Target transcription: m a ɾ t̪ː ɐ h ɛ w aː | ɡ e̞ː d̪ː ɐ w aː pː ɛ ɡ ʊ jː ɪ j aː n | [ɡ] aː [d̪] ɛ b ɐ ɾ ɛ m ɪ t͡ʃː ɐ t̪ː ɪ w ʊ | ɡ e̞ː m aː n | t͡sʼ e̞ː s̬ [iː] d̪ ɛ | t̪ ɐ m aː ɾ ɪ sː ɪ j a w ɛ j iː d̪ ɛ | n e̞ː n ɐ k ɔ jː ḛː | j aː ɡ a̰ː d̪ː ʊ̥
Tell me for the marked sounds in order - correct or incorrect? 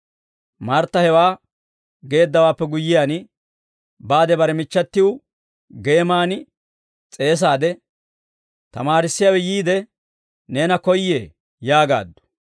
incorrect, correct, incorrect

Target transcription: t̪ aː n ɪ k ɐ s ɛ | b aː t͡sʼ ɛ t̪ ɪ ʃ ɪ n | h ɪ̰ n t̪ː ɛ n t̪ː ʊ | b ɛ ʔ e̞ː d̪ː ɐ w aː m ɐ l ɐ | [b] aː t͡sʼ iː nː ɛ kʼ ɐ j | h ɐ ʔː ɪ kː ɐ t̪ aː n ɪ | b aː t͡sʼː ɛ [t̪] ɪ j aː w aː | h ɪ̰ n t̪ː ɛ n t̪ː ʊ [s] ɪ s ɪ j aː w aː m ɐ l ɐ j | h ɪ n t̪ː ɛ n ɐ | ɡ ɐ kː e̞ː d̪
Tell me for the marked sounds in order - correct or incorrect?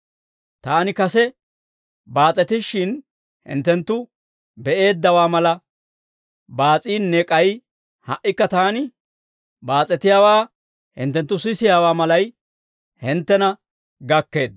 correct, correct, correct

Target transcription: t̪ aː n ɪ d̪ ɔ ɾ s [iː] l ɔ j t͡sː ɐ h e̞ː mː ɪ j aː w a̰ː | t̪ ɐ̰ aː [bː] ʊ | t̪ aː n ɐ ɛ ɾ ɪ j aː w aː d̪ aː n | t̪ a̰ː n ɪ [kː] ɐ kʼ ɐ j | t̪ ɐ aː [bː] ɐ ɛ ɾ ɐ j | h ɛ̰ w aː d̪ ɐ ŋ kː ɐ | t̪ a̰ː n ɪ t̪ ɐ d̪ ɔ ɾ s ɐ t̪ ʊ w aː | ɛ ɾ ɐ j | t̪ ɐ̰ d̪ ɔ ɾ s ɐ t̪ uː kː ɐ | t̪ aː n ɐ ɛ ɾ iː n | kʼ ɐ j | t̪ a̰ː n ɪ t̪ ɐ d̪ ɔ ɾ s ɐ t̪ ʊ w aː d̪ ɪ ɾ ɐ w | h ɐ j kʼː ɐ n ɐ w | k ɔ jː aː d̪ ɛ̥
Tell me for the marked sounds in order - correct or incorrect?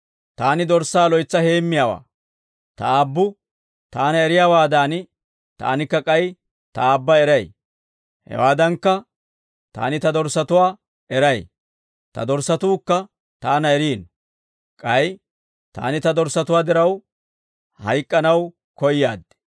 incorrect, correct, correct, correct

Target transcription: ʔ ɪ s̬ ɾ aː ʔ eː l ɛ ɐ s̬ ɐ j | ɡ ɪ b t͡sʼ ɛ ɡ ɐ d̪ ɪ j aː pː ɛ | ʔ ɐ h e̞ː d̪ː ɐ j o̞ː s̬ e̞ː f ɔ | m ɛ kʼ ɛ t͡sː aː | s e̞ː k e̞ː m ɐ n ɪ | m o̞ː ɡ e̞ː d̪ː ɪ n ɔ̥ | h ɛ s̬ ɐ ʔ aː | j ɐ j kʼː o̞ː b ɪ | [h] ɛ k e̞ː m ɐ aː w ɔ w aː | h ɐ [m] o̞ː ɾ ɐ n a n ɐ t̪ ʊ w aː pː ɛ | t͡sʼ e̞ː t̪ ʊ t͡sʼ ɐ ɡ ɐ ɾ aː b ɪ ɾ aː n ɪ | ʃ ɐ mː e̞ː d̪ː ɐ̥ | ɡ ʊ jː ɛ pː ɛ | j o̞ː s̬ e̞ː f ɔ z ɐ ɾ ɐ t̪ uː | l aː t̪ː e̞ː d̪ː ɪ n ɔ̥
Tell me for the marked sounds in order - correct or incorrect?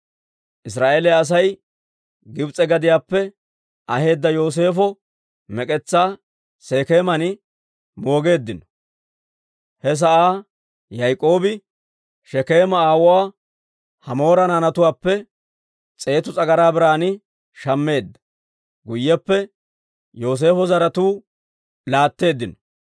incorrect, correct

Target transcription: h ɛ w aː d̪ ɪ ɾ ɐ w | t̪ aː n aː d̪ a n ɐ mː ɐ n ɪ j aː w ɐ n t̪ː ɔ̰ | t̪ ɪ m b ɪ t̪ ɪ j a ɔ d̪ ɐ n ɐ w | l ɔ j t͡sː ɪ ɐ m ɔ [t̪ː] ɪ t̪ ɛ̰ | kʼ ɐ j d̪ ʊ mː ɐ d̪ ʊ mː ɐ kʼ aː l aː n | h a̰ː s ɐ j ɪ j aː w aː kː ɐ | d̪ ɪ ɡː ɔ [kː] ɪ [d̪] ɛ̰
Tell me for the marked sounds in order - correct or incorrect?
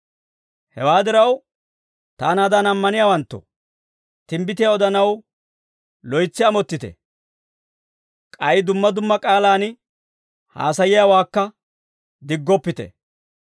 correct, incorrect, incorrect

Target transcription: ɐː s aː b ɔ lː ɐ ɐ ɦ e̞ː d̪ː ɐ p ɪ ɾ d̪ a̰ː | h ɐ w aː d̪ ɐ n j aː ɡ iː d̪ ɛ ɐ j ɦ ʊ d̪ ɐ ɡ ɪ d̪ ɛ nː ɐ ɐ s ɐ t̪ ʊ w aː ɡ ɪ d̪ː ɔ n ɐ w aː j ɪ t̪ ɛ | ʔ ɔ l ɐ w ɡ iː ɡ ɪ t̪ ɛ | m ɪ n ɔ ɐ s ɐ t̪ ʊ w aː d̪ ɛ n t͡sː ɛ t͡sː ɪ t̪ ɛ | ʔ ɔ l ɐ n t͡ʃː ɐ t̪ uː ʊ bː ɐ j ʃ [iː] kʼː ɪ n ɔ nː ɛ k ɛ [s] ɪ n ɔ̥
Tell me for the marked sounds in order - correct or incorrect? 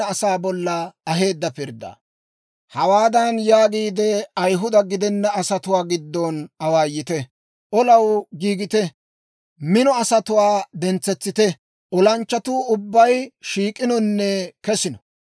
correct, correct

